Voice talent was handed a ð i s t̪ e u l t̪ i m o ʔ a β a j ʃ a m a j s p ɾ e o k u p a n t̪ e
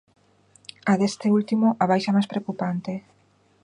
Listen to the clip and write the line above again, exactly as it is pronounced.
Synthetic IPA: a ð e s t̪ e u l t̪ i m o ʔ a β a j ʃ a m a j s p ɾ e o k u p a n t̪ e